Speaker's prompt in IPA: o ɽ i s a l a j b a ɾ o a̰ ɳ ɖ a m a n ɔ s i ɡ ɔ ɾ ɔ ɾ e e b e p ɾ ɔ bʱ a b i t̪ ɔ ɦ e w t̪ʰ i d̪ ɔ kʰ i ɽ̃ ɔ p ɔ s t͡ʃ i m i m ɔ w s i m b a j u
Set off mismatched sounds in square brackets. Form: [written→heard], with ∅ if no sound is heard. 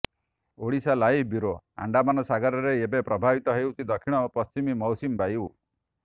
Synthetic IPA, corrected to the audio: o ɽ i s a l a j b [a→i] ɾ o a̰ ɳ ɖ a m a n ɔ s [i→a] ɡ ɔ ɾ ɔ ɾ e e b e p ɾ ɔ bʱ a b i t̪ ɔ ɦ e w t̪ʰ i d̪ ɔ kʰ i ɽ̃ ɔ p ɔ s t͡ʃ i m i m ɔ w s i m b a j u